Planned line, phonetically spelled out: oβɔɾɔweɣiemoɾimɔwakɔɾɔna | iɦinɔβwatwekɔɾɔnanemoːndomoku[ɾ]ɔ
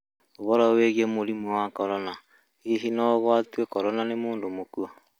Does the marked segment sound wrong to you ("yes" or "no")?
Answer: yes